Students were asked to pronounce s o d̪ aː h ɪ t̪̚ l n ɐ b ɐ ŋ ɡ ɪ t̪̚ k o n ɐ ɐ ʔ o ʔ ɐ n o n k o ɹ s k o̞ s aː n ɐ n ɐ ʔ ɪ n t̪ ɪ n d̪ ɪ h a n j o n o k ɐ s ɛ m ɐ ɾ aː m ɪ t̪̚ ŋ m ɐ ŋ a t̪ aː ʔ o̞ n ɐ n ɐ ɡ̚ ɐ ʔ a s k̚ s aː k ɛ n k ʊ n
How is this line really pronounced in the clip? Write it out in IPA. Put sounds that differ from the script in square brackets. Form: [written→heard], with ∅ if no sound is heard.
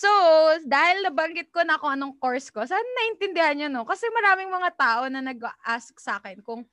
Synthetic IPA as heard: s o d̪ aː h ɪ [t̪̚→∅] l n ɐ b ɐ ŋ ɡ ɪ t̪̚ k o n ɐ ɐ [ʔ→k] o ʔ ɐ n o [n→ŋ] k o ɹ s k o̞ s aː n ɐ n ɐ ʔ ɪ n t̪ ɪ n d̪ ɪ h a n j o n o k ɐ s ɛ m ɐ ɾ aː m ɪ [t̪̚→∅] ŋ m ɐ ŋ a t̪ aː ʔ o̞ n ɐ n ɐ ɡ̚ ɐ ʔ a s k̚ s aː k ɛ n k ʊ [n→ŋ]